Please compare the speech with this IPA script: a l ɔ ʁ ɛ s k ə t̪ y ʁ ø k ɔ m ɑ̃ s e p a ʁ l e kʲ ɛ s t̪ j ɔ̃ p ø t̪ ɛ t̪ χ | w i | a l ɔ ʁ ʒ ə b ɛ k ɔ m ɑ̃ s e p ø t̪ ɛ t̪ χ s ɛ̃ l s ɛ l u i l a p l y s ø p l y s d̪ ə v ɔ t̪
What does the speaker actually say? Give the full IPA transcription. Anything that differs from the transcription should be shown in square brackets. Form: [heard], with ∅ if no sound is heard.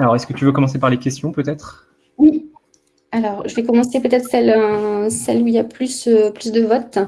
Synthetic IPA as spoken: a l ɔ ʁ ɛ s k ə t̪ y [v] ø k ɔ m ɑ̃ s e p a ʁ l e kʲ ɛ s t̪ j ɔ̃ p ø t̪ ɛ t̪ χ | w i | a l ɔ ʁ ʒ ə [v] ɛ k ɔ m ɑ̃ s e p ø t̪ ɛ t̪ χ s [ɛ] l s ɛ l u i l a p l y s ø p l y s d̪ ə v ɔ t̪

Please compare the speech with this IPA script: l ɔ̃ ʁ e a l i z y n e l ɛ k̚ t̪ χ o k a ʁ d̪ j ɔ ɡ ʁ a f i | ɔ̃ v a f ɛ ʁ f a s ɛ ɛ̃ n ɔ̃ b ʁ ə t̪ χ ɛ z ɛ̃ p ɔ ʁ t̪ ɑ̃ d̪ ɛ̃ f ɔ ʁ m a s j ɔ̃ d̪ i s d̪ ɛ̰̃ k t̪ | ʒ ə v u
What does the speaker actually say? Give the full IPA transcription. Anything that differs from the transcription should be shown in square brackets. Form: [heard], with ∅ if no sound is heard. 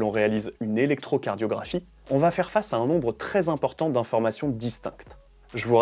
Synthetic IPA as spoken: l ɔ̃ ʁ e a l i z y n e l ɛ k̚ t̪ χ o k a ʁ d̪ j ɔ ɡ ʁ a f i | ɔ̃ v a f ɛ ʁ f a s [a] ɛ̃ n ɔ̃ b ʁ ə t̪ χ ɛ z ɛ̃ p ɔ ʁ t̪ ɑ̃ d̪ ɛ̃ f ɔ ʁ m a s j ɔ̃ d̪ i s [t̪] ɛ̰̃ k t̪ | ʒ ə v u

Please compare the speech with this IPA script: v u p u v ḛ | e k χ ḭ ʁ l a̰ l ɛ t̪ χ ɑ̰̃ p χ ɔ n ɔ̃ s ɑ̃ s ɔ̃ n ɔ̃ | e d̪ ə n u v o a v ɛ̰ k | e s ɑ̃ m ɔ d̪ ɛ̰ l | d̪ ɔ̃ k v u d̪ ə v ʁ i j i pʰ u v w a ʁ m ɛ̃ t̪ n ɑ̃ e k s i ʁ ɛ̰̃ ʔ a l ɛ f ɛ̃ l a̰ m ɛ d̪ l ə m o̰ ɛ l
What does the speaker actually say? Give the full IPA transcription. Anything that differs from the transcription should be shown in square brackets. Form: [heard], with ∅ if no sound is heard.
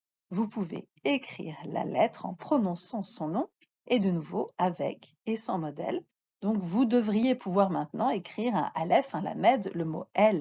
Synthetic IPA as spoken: v u p u v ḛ | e k χ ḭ ʁ l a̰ l ɛ t̪ χ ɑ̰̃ p χ ɔ n ɔ̃ s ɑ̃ s ɔ̃ n ɔ̃ | e d̪ ə n u v o a v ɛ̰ k | e s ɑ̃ m ɔ d̪ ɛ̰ l | d̪ ɔ̃ k v u d̪ ə v ʁ i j [e] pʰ u v w a ʁ m ɛ̃ t̪ n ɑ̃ e k [χ] i ʁ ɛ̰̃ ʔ a l ɛ f ɛ̃ l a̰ m ɛ d̪ l ə m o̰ ɛ l

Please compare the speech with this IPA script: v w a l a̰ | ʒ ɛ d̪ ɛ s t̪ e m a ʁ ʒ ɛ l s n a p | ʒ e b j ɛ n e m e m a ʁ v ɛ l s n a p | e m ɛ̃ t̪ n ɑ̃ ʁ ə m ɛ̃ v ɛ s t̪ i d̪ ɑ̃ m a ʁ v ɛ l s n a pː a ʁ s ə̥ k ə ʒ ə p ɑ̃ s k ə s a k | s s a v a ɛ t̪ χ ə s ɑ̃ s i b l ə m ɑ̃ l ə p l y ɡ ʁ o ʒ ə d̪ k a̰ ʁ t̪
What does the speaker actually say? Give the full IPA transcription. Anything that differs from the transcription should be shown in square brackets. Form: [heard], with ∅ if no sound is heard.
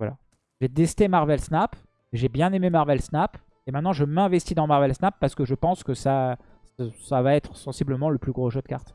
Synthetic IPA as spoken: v w a l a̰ | ʒ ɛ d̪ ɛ s t̪ e m a ʁ [v] ɛ l s n a p | ʒ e b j [ɛ̃] n e m e m a ʁ v ɛ l s n a p | e m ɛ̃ t̪ n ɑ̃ [ʒ] ə m ɛ̃ v ɛ s t̪ i d̪ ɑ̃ m a ʁ v ɛ l s n a pː a ʁ s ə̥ k ə ʒ ə p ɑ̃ s k ə s a [∅] | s s a v a ɛ t̪ χ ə s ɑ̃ s i b l ə m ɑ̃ l ə p l y ɡ ʁ o ʒ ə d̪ k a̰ ʁ t̪

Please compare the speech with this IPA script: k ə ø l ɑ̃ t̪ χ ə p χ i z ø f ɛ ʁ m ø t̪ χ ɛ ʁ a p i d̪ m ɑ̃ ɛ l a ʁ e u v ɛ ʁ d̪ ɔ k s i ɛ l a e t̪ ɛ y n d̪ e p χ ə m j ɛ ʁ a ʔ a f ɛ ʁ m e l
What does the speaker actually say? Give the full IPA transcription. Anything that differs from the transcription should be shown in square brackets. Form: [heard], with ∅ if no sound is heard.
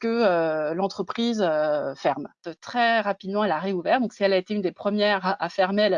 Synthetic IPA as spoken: k ə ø l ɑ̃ t̪ χ ə p χ i z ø f ɛ ʁ m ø t̪ χ ɛ ʁ a p i d̪ m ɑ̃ ɛ l a ʁ e u v ɛ ʁ d̪ [ɔ̃] k s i ɛ l a e t̪ [e] y n d̪ e p χ ə m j ɛ ʁ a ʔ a f ɛ ʁ m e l

